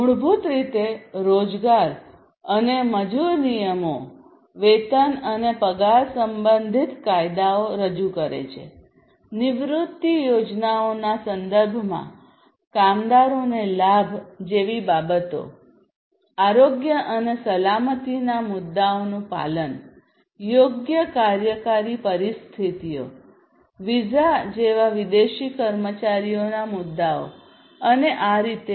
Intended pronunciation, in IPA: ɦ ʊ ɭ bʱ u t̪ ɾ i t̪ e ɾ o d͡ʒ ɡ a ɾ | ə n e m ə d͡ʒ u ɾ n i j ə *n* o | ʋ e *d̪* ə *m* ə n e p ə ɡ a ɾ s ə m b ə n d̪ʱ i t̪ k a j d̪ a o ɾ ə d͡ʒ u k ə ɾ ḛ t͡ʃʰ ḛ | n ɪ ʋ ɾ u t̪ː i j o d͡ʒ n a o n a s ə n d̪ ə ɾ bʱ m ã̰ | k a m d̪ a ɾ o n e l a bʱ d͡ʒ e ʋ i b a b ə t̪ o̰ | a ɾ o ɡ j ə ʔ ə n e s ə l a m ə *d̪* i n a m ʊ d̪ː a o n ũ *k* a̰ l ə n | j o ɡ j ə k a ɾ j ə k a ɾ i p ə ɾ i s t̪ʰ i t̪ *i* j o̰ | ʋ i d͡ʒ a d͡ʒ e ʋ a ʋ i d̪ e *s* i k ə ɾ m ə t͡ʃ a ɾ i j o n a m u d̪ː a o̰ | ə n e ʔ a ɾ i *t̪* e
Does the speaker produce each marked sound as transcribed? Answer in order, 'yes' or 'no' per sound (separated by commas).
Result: no, no, no, no, no, yes, no, yes